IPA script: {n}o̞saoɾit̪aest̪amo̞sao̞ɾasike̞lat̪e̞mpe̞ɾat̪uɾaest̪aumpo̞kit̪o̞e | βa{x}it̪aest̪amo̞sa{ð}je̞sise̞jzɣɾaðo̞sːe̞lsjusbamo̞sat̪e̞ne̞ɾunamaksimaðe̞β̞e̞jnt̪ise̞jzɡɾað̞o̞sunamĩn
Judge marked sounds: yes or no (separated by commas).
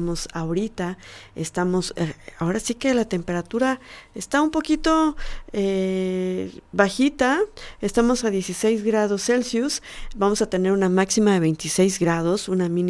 no, yes, yes